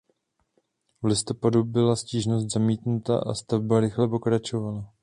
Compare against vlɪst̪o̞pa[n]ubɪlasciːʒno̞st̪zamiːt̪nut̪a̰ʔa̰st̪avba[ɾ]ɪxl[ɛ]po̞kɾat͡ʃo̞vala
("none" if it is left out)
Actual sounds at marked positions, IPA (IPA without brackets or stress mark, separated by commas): d, ɾ, ɛ